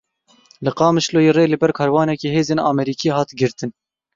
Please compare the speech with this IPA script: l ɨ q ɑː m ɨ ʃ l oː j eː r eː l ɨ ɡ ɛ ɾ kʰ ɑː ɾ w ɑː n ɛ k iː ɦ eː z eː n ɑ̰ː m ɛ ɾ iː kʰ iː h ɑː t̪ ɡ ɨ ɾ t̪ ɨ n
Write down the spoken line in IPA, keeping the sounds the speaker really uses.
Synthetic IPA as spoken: l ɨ q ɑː m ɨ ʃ l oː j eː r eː l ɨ b ɛ ɾ kʰ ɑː ɾ w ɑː n ɛ k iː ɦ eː z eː n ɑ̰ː m ɛ ɾ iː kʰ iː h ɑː t̪ ɡ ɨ ɾ t̪ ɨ n